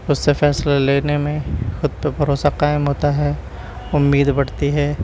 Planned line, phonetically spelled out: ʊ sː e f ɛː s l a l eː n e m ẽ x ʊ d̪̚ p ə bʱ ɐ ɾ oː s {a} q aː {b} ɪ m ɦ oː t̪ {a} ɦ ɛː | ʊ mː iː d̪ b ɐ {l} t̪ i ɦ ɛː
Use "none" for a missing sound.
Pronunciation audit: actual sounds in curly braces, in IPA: a, none, a, ɽ

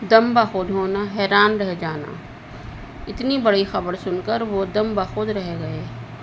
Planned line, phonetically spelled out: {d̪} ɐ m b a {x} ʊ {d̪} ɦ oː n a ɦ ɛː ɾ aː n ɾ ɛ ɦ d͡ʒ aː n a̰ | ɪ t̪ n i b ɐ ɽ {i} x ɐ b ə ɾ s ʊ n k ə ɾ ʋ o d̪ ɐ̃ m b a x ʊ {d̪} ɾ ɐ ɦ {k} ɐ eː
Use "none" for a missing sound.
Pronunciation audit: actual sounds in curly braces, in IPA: d̪, x, d̪, i, d̪, ɡ

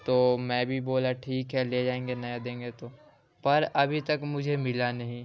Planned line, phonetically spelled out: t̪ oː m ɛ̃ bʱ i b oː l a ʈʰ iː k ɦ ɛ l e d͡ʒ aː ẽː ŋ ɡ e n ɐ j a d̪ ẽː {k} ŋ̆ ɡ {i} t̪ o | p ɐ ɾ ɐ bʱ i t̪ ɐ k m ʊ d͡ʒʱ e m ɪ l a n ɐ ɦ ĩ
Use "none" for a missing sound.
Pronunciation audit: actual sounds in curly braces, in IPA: none, e

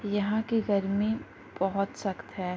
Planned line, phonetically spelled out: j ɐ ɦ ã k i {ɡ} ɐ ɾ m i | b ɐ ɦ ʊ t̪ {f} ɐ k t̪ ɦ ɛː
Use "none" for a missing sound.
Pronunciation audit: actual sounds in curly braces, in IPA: ɡ, s

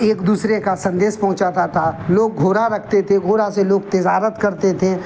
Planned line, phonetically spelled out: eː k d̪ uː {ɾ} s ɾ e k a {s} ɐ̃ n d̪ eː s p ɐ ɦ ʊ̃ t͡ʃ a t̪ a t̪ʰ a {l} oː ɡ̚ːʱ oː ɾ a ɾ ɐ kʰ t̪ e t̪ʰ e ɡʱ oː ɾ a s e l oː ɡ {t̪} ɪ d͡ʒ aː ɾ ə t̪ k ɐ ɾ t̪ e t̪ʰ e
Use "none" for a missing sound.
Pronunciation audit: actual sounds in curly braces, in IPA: none, s, l, t̪

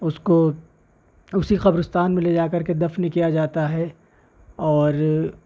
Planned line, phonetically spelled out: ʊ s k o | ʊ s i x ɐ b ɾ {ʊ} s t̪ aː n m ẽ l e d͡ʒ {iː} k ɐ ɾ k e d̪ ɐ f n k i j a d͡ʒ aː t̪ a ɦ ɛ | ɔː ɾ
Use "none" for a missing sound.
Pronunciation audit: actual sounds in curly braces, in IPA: ʊ, aː

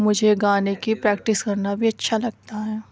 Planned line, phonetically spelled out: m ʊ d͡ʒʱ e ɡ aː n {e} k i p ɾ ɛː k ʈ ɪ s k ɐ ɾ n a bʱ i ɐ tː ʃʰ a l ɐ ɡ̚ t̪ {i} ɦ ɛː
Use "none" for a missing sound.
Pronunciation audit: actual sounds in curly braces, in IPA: e, a

